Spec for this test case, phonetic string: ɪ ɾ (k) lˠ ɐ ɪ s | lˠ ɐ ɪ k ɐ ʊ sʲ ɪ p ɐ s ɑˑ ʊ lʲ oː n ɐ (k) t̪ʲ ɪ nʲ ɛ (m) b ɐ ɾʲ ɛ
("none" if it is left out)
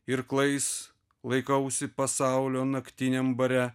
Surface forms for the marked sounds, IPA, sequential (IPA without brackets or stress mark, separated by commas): k, k, m